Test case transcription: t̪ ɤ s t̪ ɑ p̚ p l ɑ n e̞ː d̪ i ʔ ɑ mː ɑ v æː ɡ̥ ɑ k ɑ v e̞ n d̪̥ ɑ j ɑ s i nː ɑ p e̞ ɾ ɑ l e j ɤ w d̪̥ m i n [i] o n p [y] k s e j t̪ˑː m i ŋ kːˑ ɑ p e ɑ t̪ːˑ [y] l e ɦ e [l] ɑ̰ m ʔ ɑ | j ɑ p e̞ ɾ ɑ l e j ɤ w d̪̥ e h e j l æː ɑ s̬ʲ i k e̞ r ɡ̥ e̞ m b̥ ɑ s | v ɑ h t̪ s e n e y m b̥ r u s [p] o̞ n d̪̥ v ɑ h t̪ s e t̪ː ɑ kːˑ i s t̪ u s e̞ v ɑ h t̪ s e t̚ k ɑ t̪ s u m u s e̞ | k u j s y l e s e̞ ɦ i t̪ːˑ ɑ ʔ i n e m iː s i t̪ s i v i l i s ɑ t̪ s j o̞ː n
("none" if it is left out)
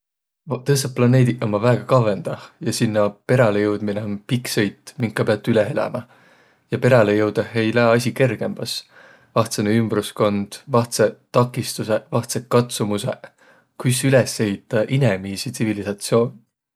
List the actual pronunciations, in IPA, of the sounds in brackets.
e, i, y, l, k

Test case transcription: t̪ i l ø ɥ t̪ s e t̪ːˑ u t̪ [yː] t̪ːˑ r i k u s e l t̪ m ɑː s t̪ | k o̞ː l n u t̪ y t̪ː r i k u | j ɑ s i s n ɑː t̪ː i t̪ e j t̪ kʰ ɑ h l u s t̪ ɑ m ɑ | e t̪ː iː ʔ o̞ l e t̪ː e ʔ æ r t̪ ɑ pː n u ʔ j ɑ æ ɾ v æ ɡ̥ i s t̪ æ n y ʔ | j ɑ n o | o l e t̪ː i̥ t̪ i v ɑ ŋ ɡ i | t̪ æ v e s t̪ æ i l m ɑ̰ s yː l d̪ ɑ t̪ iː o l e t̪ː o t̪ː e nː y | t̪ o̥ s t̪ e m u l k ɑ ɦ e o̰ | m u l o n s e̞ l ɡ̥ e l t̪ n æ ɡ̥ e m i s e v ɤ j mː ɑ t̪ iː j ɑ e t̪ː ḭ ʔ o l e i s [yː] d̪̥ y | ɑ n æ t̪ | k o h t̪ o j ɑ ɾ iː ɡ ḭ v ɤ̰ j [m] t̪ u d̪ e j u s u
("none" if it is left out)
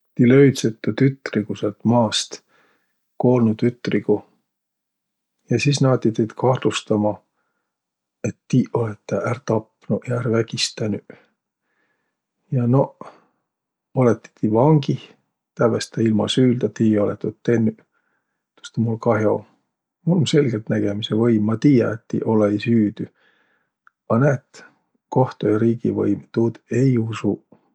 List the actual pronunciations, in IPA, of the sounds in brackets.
y, yː, m

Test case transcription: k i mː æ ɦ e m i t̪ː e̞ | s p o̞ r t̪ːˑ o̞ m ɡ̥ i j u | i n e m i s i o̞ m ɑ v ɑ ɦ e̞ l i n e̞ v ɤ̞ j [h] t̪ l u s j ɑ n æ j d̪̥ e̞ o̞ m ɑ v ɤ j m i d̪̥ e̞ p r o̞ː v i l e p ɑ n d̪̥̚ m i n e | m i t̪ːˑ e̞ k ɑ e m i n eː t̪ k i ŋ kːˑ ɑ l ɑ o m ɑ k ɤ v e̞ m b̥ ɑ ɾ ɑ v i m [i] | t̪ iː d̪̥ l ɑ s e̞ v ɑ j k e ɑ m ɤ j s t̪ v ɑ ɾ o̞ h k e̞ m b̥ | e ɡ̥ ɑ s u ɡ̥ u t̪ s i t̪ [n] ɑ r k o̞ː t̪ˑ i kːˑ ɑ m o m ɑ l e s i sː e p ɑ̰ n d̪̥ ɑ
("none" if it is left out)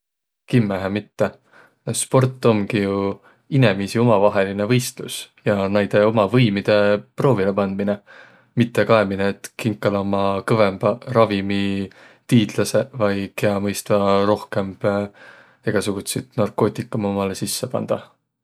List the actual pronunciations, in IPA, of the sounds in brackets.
s, i, n

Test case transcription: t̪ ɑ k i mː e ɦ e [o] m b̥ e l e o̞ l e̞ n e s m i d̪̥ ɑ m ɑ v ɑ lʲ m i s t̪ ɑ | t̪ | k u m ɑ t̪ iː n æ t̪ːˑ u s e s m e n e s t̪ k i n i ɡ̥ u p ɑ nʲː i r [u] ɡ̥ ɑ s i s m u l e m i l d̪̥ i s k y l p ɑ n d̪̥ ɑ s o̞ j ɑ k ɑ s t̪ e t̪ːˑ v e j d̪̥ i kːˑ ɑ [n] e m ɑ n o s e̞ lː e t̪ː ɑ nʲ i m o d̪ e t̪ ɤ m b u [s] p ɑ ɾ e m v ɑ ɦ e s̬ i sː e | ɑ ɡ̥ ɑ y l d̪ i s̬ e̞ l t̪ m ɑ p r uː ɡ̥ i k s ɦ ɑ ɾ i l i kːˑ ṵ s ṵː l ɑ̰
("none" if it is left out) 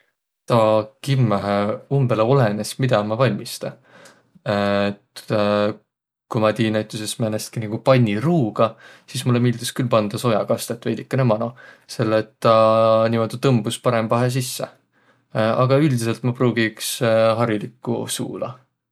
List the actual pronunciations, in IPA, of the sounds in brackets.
u, uː, n, s

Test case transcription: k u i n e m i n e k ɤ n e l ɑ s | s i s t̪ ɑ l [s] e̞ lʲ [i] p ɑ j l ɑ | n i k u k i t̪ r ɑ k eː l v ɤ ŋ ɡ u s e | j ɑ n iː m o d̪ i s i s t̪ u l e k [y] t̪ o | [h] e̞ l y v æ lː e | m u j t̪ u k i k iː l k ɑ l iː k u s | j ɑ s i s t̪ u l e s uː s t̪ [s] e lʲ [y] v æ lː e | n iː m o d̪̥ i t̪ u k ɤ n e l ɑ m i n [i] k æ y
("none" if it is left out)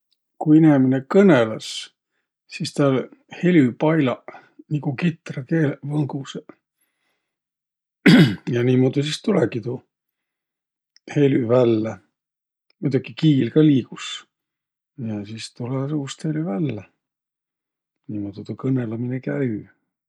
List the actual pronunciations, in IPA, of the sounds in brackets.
h, y, i, h, h, y, e

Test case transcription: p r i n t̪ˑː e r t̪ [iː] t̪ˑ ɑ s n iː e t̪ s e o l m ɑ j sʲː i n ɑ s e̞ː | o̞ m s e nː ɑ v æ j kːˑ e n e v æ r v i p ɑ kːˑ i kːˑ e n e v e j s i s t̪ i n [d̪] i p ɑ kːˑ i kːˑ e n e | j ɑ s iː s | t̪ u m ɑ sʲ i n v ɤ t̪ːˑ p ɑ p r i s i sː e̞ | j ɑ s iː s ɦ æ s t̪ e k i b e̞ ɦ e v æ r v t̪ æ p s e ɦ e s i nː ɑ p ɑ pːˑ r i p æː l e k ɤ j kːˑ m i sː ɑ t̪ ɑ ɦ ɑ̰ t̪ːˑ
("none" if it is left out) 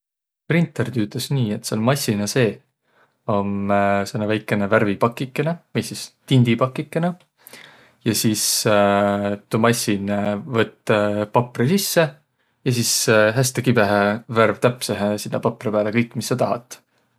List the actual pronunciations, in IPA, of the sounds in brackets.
yː, d̪

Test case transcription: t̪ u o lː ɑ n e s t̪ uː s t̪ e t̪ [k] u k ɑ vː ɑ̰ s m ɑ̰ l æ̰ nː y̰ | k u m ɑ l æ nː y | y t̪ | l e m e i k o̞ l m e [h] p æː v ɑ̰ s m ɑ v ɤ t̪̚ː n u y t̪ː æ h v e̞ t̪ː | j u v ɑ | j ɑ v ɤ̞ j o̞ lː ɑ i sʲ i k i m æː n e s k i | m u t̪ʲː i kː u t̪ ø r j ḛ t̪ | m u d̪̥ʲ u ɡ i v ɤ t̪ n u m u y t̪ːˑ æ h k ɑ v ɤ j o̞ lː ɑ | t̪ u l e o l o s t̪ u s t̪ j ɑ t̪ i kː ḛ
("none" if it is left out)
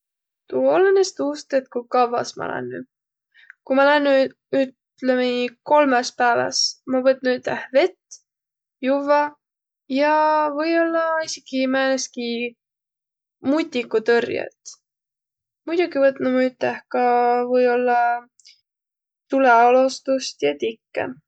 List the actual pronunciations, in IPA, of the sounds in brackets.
k, s

